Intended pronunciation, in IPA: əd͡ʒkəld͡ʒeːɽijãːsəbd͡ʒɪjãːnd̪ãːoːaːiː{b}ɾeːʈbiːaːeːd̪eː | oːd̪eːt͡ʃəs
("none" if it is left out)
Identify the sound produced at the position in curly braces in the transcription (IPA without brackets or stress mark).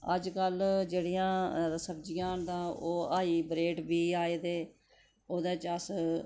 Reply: b